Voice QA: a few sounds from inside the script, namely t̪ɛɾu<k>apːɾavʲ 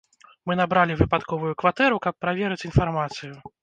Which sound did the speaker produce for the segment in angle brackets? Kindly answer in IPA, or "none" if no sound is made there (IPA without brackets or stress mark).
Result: k